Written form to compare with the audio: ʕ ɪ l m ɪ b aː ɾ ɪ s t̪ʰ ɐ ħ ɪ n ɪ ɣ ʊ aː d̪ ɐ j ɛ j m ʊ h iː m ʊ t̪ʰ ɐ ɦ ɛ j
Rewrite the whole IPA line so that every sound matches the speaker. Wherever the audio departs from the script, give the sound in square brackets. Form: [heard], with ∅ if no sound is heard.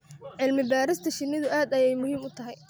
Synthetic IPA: ʕ ɪ l m ɪ b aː ɾ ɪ s t̪ʰ ɐ [ʃ] ɪ n ɪ [ð] ʊ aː d̪ ɐ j ɛ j m ʊ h iː m ʊ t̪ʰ ɐ ɦ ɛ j